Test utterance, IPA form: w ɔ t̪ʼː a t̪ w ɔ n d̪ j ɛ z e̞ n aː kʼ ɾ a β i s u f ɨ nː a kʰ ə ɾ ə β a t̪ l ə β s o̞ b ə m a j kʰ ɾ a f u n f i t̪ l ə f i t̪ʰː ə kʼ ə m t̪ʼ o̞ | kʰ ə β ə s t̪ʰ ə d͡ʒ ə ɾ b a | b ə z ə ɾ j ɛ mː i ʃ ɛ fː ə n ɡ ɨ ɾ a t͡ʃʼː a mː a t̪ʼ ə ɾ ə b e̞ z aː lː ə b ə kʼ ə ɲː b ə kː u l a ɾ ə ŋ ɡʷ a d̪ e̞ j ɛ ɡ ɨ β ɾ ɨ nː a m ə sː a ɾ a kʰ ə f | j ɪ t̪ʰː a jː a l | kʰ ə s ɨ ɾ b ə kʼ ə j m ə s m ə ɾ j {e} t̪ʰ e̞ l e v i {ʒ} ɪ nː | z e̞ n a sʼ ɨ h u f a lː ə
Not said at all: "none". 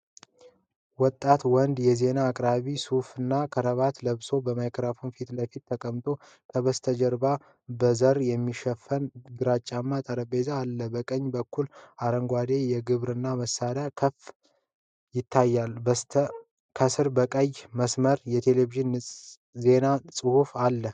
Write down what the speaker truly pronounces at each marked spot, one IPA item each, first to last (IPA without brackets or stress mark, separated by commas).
ɛ, ʒ